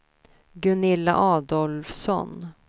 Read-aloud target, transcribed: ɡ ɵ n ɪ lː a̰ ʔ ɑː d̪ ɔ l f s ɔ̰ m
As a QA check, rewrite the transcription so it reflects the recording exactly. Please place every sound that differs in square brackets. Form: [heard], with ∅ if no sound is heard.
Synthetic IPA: ɡ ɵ n ɪ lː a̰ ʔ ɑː d̪ ɔ l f s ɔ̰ [n]